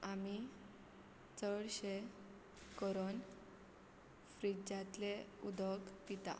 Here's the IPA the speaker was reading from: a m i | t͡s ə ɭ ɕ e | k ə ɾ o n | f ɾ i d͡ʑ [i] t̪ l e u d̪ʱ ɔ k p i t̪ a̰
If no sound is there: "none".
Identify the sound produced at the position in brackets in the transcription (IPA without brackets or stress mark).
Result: a